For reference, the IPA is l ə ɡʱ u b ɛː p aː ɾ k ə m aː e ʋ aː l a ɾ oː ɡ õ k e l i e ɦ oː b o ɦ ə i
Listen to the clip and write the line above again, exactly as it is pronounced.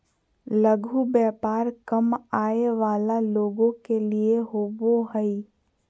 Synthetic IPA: l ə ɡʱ u b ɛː p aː ɾ k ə m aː e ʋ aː l a l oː ɡ õ k e l i e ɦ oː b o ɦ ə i